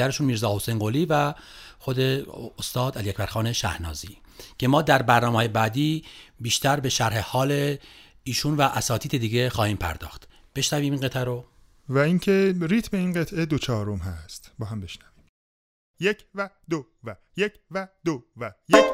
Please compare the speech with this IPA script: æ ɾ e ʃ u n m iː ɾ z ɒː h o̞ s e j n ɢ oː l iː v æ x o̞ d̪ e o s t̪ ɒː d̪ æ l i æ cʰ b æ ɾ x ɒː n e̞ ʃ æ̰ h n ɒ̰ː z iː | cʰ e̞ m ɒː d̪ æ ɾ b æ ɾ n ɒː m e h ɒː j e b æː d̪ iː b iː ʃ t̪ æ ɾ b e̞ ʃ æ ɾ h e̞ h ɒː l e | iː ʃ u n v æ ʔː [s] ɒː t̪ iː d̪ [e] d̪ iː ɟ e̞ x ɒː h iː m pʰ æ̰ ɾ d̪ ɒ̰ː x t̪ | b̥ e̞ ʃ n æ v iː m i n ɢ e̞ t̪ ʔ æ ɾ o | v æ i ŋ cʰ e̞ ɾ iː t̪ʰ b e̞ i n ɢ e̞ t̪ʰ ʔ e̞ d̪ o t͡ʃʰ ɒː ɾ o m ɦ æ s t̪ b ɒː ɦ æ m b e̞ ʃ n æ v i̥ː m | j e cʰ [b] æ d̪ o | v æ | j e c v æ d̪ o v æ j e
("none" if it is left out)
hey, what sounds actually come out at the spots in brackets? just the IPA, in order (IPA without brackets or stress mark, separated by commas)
s, e, v